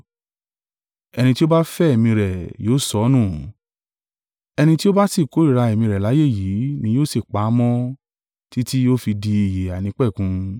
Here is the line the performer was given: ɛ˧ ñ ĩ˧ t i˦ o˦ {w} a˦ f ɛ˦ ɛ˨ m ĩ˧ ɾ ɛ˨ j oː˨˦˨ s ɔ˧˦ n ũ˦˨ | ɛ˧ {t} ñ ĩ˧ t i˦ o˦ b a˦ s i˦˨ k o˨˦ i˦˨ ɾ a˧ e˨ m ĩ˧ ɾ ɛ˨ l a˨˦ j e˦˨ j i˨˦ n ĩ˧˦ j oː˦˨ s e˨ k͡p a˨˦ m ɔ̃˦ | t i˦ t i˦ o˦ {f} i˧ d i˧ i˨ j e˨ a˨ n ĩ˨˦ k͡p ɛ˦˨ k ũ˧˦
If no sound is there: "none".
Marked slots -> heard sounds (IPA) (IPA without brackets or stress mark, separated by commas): b, none, f